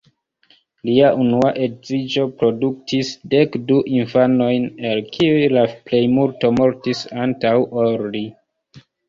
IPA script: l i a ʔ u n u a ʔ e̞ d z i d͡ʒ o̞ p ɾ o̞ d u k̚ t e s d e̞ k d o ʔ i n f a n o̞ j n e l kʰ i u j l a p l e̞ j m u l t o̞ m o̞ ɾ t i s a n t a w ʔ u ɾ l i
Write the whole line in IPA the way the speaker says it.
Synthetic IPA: l i a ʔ u n u a ʔ e̞ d z i d͡ʒ o̞ p ɾ o̞ d u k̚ t i s d e̞ k d u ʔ i n f a n o̞ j n e l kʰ i u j l a p l e̞ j m u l t o̞ m o̞ ɾ t i s a n t a w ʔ o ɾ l i